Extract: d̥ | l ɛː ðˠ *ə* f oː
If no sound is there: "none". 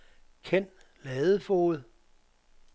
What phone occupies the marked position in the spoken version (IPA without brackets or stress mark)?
ə